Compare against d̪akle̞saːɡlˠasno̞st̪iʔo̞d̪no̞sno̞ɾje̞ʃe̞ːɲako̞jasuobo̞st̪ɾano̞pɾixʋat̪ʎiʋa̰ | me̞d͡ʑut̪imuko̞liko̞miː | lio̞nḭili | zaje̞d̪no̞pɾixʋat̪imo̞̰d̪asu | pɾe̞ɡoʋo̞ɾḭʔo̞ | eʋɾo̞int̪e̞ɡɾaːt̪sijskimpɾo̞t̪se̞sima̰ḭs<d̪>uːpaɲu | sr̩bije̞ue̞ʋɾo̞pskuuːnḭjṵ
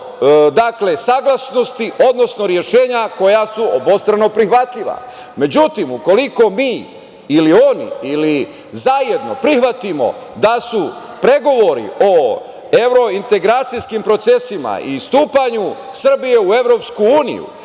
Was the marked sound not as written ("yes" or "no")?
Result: yes